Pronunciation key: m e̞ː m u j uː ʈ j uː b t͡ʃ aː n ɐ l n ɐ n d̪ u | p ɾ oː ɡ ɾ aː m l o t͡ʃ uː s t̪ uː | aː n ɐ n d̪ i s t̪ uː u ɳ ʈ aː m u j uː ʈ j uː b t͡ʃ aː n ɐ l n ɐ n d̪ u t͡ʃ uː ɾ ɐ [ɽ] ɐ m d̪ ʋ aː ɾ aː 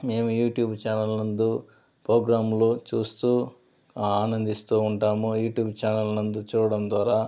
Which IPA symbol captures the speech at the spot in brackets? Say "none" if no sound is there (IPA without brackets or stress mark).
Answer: ɽ